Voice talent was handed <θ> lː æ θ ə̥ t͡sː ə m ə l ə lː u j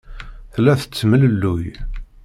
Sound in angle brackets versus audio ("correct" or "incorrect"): correct